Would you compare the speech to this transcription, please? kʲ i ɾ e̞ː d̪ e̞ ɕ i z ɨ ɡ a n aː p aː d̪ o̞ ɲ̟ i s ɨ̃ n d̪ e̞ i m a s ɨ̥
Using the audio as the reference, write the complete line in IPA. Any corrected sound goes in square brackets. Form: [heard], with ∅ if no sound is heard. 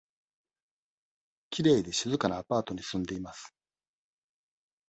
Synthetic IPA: kʲ i ɾ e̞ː d̪ e̞ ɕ i z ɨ [k] a n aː p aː [t̪] o̞ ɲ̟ i s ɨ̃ n d̪ e̞ i m a s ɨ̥